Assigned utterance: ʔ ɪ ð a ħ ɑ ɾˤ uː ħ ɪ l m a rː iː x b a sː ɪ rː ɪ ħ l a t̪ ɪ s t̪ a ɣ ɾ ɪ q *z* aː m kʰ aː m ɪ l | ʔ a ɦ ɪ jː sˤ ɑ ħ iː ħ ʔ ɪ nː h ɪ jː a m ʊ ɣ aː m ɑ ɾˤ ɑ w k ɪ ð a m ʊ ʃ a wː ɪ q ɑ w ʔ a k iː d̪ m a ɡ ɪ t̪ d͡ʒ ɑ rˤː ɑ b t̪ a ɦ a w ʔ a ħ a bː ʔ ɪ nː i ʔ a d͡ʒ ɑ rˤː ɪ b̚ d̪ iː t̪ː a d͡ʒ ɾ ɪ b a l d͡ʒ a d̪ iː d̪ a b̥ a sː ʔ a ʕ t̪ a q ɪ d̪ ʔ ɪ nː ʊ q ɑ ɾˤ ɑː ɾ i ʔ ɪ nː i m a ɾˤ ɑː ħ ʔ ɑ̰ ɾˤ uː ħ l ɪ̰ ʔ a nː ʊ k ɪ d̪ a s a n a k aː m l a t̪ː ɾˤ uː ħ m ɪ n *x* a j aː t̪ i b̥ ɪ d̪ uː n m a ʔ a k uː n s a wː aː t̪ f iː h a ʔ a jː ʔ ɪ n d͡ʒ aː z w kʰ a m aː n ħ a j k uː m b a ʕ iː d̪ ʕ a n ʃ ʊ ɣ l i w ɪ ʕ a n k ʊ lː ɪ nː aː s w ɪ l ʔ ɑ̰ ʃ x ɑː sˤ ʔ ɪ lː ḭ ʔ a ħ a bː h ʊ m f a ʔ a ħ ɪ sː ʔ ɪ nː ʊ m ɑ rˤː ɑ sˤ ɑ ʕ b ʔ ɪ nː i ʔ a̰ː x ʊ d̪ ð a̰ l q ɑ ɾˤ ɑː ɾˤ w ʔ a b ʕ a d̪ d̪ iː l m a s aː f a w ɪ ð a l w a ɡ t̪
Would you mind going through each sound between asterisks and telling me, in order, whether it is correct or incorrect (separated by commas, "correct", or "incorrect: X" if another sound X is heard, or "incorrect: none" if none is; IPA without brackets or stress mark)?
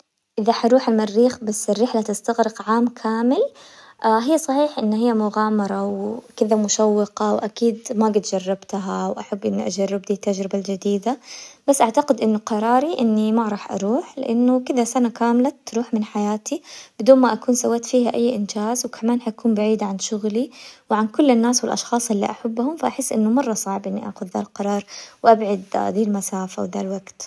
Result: incorrect: ʕ, incorrect: ħ